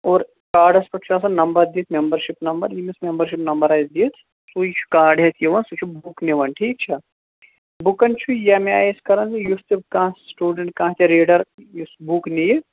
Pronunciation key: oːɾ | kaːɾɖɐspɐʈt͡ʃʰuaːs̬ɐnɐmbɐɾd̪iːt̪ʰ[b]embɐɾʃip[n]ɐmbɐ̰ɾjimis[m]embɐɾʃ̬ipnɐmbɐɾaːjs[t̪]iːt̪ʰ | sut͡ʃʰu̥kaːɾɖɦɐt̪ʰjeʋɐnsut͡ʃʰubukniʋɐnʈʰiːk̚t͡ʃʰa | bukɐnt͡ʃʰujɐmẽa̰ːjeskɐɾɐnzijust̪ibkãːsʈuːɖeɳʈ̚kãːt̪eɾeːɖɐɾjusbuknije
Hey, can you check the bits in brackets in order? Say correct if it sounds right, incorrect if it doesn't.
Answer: incorrect: m, correct, correct, incorrect: d̪

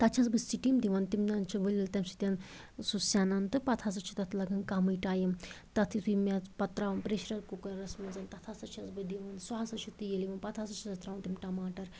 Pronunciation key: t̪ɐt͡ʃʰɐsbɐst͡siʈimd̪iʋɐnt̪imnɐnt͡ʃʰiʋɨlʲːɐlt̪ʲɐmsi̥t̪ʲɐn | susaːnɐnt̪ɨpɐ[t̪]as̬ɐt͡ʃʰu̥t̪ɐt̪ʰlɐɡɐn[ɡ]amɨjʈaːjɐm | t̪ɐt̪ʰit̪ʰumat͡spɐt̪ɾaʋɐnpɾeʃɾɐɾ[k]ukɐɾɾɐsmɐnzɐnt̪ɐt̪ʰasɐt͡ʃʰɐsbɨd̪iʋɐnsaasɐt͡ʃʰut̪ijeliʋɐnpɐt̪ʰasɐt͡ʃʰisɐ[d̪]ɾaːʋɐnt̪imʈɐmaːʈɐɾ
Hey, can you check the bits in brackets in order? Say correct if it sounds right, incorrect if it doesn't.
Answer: incorrect: t̪ʰ, incorrect: k, correct, incorrect: t̪

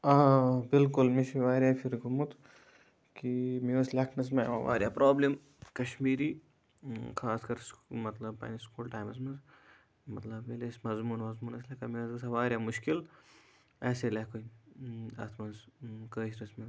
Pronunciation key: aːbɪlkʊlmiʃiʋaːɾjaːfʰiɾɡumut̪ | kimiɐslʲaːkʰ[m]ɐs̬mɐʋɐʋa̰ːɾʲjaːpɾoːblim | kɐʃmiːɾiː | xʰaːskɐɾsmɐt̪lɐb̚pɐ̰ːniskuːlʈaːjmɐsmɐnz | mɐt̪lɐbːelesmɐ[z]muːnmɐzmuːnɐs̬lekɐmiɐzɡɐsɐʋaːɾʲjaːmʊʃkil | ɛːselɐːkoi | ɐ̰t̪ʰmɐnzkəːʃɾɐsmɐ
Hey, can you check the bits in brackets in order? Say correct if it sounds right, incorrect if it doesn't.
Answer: incorrect: n, correct

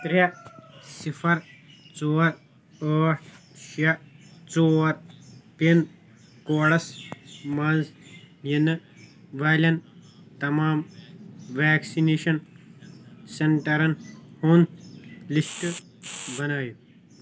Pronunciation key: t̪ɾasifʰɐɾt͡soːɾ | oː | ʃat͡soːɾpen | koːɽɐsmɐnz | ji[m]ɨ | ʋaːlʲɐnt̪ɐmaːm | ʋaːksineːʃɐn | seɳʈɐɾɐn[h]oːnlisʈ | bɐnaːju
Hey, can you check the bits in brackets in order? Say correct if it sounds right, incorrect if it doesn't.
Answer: incorrect: n, correct

